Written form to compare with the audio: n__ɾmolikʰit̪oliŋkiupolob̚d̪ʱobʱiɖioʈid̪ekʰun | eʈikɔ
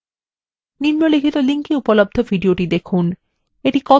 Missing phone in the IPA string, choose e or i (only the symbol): i